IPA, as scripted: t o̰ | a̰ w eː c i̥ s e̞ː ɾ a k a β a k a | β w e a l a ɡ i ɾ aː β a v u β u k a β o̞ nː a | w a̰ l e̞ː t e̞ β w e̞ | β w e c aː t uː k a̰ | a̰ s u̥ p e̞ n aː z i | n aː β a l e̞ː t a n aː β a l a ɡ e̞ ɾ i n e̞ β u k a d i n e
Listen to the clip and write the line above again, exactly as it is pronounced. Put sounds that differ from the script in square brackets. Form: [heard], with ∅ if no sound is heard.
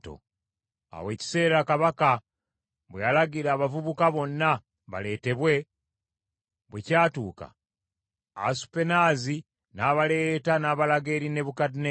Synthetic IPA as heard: t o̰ | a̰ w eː c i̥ s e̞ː ɾ a k a β a k a | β w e a l a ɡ i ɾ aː β a v u β u k a β o̞ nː a | [β] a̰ l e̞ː t e̞ β w e̞ | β w e c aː t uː k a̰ | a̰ s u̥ p e̞ n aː z i | n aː β a l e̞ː t a n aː β a l a ɡ e̞ ɾ i n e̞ β u k a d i n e